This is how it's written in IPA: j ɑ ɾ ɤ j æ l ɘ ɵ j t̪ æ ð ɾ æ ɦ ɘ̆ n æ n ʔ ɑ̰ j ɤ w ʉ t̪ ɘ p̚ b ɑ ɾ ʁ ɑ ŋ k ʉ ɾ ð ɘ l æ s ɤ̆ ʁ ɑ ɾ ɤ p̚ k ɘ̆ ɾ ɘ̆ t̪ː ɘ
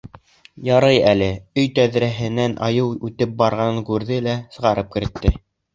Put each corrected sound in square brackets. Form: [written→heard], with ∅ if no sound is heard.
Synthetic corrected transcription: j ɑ ɾ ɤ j æ l ɘ ɵ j t̪ æ ð ɾ æ ɦ ɘ̆ n æ n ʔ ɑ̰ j ɤ w ʉ t̪ ɘ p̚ b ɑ ɾ ʁ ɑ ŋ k ʉ ɾ ð ɘ l æ s ɤ̆ ʁ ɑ ɾ ɤ p̚ k ɘ̆ ɾ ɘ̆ t̪ː ɘ